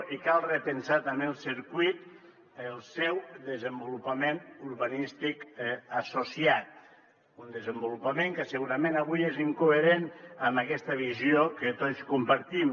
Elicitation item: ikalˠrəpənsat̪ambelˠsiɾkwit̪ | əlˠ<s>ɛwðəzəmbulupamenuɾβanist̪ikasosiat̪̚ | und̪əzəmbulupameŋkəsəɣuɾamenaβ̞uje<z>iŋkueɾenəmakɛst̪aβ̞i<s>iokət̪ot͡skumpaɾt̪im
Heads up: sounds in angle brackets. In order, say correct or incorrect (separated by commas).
correct, correct, incorrect